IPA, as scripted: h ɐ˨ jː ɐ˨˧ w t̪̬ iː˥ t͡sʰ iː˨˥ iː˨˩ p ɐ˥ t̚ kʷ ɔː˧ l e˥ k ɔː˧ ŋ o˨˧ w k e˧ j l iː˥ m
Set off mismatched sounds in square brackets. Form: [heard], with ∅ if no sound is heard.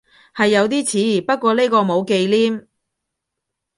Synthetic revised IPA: h ɐ˨ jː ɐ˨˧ w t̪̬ iː˥ t͡sʰ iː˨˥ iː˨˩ p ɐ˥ t̚ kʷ ɔː˧ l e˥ k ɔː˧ [m] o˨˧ w k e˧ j l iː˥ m